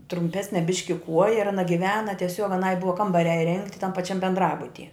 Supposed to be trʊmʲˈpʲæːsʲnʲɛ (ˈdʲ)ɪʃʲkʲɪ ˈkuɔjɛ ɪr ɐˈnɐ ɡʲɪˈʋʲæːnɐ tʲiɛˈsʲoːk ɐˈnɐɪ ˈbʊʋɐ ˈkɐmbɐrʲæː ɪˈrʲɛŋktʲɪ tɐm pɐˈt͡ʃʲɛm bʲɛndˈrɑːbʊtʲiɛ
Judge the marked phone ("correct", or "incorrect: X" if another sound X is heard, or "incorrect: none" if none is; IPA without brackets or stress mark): incorrect: bʲ